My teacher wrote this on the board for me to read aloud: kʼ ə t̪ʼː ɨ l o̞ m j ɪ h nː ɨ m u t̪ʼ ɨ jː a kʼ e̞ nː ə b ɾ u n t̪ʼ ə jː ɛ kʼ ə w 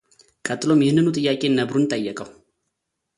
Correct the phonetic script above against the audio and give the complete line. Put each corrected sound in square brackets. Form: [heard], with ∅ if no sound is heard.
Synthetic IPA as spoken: kʼ ə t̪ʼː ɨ l o̞ m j ɪ h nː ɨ [n] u t̪ʼ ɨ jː a kʼ e̞ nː ə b ɾ u n t̪ʼ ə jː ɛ kʼ ə w